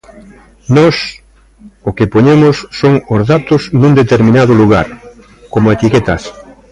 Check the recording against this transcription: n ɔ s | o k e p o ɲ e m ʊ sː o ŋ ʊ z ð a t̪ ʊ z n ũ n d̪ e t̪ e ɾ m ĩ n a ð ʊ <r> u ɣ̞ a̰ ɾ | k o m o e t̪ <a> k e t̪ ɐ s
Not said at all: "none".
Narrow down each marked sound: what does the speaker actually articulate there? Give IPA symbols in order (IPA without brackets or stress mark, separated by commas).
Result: l, i